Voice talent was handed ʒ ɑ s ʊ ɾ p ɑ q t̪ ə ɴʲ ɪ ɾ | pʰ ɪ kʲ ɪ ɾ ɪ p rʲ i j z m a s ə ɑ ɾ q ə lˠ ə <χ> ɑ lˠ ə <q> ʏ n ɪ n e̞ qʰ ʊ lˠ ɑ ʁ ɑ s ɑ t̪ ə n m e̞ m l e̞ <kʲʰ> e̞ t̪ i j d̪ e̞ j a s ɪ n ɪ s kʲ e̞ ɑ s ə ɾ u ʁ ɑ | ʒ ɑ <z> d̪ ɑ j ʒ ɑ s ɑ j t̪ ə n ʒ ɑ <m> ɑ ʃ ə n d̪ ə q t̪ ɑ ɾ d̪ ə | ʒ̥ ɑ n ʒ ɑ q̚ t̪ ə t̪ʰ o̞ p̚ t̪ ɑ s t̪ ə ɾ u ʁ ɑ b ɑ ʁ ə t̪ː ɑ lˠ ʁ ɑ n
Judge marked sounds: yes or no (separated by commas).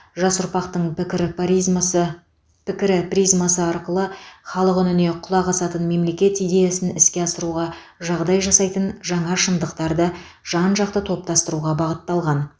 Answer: yes, yes, no, no, no